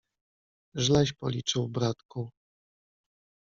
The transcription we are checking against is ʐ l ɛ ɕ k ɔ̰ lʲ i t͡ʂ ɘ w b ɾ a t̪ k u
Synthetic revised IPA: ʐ l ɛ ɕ p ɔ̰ lʲ i t͡ʂ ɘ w b ɾ a t̪ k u